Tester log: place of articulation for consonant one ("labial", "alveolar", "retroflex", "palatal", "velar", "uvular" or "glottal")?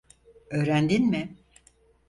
alveolar